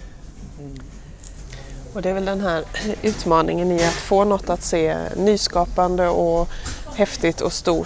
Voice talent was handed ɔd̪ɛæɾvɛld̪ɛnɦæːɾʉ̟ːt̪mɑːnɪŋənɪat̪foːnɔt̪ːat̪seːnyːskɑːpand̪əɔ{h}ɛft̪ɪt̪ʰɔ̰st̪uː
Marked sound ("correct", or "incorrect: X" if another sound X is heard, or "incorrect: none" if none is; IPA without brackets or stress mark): correct